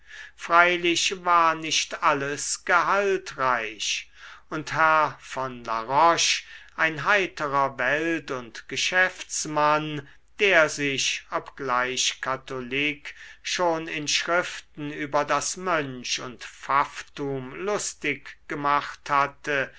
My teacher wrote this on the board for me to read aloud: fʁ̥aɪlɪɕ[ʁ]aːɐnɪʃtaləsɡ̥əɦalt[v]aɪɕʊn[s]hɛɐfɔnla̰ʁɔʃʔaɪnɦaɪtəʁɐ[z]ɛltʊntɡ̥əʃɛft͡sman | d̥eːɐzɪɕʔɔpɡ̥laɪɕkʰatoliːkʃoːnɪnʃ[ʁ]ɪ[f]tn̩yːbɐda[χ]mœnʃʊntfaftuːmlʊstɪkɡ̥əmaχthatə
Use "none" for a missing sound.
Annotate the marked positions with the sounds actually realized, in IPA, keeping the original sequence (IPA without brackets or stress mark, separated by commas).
v, ʁ, t, v, ʁ, f, s